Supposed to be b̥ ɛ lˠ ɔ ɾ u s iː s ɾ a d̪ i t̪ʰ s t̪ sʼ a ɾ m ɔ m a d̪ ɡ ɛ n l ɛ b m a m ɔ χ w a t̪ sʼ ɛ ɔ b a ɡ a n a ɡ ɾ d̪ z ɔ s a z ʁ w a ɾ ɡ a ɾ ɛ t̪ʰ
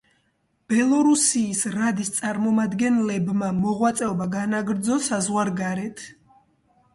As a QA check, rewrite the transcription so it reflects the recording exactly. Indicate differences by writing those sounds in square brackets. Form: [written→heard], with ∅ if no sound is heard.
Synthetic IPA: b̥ ɛ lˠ ɔ ɾ u s iː s ɾ a d̪ i [t̪ʰ→∅] s t̪ sʼ a ɾ m ɔ m a d̪ ɡ ɛ n l ɛ b m a m ɔ [χ→ʁ] w a t̪ sʼ ɛ ɔ b a ɡ a n a ɡ ɾ d̪ z ɔ s a z ʁ w a ɾ ɡ a ɾ ɛ t̪ʰ